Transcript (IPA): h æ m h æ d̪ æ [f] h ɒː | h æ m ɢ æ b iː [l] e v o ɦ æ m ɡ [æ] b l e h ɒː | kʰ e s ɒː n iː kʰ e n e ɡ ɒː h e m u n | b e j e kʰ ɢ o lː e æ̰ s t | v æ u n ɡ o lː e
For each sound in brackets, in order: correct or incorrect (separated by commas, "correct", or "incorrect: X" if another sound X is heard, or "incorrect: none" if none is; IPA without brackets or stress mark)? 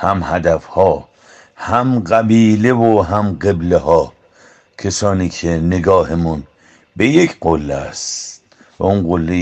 correct, correct, incorrect: e